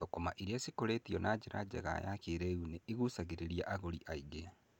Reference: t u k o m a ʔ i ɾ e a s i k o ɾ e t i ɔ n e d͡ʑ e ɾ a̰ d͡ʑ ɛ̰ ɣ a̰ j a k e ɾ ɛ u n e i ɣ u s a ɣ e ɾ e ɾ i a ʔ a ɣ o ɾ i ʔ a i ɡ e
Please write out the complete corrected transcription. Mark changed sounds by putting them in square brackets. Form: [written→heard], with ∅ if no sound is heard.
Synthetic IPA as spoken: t [u→o] k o m a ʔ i ɾ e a s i k o ɾ e t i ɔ n [e→a] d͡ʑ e ɾ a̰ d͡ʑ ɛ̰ ɣ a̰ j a k e ɾ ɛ u n e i ɣ u s a ɣ e ɾ e ɾ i a ʔ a ɣ o ɾ i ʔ a i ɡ e